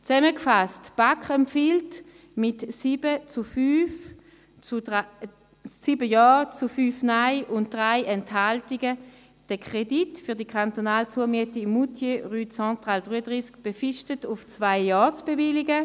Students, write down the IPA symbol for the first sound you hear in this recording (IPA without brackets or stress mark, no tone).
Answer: t͡s